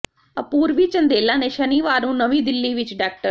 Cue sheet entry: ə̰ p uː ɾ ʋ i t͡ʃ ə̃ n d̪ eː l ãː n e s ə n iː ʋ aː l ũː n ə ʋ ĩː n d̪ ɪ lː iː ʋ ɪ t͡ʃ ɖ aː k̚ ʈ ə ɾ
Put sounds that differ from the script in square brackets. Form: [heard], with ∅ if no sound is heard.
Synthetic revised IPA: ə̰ p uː ɾ ʋ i t͡ʃ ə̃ n d̪ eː l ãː n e [ʃ] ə n iː ʋ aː [ɾ] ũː n ə ʋ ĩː [∅] d̪ ɪ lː iː ʋ ɪ t͡ʃ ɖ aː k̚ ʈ ə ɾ